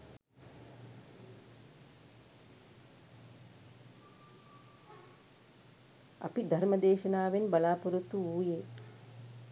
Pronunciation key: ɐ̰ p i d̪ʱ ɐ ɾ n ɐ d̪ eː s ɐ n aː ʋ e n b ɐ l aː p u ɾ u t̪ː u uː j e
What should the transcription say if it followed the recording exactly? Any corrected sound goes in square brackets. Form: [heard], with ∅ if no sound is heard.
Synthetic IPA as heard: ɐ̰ p i d̪ʱ ɐ ɾ [m] ɐ d̪ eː [ʃ] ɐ n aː ʋ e n b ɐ l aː p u ɾ u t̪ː u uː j e